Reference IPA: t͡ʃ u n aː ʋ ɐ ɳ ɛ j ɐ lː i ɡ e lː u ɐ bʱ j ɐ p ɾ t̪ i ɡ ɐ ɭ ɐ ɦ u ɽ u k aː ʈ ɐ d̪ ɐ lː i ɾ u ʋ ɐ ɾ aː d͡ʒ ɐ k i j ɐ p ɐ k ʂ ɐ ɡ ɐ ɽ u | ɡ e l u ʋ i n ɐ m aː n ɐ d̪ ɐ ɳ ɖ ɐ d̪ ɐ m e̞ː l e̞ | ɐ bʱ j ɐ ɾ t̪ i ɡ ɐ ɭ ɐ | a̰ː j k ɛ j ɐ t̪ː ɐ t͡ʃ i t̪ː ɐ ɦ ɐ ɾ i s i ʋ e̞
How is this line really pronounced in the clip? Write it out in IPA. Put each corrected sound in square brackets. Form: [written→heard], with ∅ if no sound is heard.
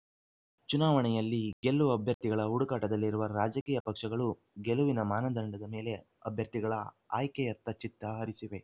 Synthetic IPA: t͡ʃ u n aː ʋ ɐ ɳ ɛ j ɐ lː i ɡ e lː u ɐ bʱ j ɐ [p→∅] ɾ t̪ i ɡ ɐ ɭ ɐ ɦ u ɽ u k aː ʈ ɐ d̪ ɐ lː i ɾ u ʋ ɐ ɾ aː d͡ʒ ɐ k [i→iː] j ɐ p ɐ k ʂ ɐ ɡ ɐ [ɽ→ɭ] u | ɡ e l u ʋ i n ɐ m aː n ɐ d̪ ɐ ɳ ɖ ɐ d̪ ɐ m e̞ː l e̞ | ɐ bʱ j ɐ ɾ t̪ i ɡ ɐ ɭ ɐ | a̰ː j k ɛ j ɐ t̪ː ɐ t͡ʃ i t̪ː ɐ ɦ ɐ ɾ i s i ʋ e̞